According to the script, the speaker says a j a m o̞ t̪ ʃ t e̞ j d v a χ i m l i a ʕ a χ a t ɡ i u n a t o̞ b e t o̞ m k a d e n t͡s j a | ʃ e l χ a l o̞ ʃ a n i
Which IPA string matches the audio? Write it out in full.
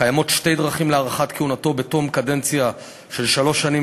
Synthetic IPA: a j a m o̞ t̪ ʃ t e̞ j d ʁ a χ i m l e a ʁ a χ a t k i u n a t o̞ b e t o̞ m k a d e n t͡s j a | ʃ e l ʃ a l o̞ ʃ a n i

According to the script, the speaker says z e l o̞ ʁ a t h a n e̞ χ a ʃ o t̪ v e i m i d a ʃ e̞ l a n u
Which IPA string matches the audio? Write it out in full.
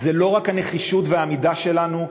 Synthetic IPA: z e l o̞ ʁ a k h a n e̞ χ i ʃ u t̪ v e a m i d a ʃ e̞ l a n u

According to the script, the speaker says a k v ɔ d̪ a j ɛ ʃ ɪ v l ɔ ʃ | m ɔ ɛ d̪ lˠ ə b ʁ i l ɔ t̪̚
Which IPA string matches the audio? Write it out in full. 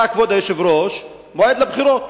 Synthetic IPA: a k v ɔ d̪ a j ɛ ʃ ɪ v ɾ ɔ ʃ | m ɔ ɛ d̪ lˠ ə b χ i ɾ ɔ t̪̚

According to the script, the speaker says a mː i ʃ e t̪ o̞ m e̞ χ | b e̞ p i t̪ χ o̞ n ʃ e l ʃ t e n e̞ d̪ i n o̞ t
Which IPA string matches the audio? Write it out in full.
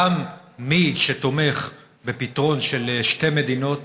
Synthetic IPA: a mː i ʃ e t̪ o̞ m e̞ χ | b e̞ p i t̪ ʁ o̞ n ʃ e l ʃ t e m e̞ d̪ i n o̞ t

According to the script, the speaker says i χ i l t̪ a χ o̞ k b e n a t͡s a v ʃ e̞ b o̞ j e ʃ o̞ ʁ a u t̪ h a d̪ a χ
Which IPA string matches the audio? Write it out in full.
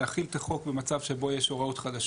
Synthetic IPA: a χ i l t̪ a χ o̞ k b e m a t͡s a v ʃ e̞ b o̞ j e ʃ o̞ ʁ a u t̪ χ a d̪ a ʃ

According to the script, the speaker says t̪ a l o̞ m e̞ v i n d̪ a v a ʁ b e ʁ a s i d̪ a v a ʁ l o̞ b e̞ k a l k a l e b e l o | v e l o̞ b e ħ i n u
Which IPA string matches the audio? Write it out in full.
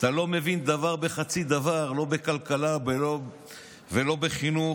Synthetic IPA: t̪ a l o̞ m e̞ v i n d̪ a v a ʁ b e χ a t͡s i d̪ a v a ʁ l o̞ b e̞ k a l k a l a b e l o | v e l o̞ b e χ i n u

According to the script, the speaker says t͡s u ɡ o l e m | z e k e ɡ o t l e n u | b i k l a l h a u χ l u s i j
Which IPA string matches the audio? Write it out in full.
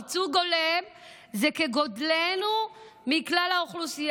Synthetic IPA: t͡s u ɡ o l e m | z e k e ɡ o d l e n u | m i k l a l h a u χ l u s i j

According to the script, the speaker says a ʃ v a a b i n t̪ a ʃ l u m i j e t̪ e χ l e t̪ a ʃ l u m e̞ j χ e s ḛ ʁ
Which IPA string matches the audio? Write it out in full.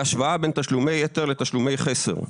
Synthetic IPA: a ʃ v a a b e n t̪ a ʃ l u m e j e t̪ e ʁ l e t̪ a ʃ l u m e̞ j χ e s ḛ ʁ

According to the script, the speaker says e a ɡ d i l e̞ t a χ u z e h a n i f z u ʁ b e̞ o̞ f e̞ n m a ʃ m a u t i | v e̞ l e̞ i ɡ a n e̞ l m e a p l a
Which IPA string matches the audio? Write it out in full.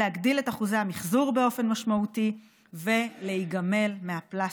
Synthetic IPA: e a ɡ d i l e̞ t a χ u z e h a m i χ z u ʁ b e̞ o̞ f e̞ n m a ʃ m a u t i | v e̞ l e̞ i ɡ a m e̞ l m e a p l a

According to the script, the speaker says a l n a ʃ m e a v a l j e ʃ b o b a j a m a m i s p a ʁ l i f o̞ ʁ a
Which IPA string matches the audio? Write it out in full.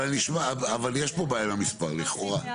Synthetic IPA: a l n i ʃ m a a v a l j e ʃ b o b a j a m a m i s p a ʁ l i χ o̞ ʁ a

